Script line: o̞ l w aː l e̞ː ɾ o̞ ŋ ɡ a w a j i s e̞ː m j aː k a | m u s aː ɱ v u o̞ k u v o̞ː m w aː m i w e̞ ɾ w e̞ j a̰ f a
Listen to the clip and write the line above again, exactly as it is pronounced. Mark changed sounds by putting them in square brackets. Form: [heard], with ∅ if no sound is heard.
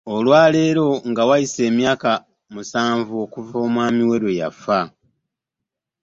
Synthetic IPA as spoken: o̞ l w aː l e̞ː ɾ o̞ ŋ ɡ a w a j i s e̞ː m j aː k a | m u s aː ɱ v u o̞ k u v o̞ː m w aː m i w e̞ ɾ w e̞ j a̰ f a